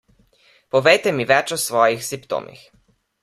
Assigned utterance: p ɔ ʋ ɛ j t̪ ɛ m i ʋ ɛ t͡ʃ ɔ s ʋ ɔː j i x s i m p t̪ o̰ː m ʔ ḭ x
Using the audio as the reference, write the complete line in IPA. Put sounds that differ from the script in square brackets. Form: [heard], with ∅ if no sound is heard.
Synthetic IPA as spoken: p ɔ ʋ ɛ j t̪ ɛ m i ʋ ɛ t͡ʃ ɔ s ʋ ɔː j i x s i m p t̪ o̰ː m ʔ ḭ x